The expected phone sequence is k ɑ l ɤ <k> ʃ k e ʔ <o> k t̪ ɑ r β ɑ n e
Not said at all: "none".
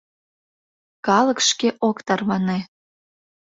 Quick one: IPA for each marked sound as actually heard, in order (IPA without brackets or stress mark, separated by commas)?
k, o